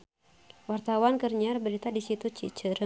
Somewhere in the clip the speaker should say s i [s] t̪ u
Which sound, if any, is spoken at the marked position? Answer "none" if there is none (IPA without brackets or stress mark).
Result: none